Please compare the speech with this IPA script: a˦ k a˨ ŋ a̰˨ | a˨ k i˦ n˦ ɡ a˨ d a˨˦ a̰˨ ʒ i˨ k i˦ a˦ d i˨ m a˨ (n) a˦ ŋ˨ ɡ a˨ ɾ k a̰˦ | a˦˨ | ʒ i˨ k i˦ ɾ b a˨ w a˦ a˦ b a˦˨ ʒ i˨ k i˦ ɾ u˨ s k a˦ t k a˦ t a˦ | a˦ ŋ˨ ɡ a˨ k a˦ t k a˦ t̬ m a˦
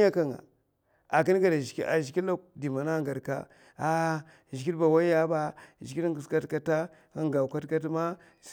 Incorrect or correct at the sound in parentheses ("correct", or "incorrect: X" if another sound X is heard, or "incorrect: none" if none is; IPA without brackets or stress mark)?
correct